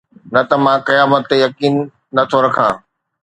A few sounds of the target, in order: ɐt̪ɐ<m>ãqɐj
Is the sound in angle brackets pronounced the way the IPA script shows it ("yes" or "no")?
yes